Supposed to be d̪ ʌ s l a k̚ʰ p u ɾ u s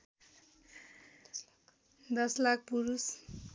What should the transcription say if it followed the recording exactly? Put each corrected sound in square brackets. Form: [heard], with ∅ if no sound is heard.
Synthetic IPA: d̪ ʌ s l a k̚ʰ p u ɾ u s

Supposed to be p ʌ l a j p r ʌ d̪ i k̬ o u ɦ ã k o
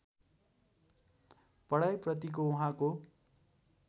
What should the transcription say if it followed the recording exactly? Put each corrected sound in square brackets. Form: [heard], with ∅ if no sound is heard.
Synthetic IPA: p ʌ [ɽ] a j p r ʌ [t̪] i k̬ o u ɦ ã k o

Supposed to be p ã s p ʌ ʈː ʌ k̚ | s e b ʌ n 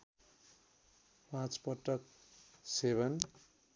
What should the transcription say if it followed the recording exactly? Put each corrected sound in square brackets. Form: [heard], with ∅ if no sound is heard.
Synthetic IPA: p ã [t͡s] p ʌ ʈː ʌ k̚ | s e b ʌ n

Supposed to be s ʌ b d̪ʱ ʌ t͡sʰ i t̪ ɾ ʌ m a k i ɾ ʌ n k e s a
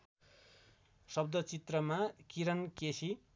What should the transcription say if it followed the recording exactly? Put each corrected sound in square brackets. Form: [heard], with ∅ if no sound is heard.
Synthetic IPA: s ʌ b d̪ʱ ʌ [t͡s] i t̪ [r] ʌ m a k i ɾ ʌ n k e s [i]

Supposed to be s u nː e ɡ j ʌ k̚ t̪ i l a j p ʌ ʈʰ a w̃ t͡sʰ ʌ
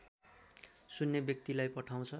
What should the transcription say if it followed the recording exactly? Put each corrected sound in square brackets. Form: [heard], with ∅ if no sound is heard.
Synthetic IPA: s u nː e [b] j ʌ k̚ t̪ i l a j p ʌ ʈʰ a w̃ t͡sʰ ʌ

